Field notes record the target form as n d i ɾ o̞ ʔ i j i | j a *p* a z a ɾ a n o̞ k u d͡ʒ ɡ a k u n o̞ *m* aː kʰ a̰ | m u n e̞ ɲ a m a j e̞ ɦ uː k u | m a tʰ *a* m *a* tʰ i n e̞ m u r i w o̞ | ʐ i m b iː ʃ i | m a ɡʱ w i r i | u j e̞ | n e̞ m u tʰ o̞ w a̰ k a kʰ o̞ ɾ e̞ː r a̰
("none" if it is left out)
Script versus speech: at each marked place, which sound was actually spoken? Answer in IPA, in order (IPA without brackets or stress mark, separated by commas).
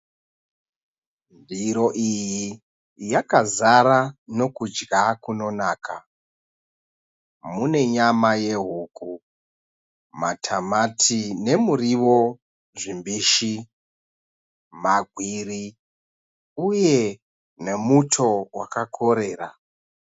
k, n, a, a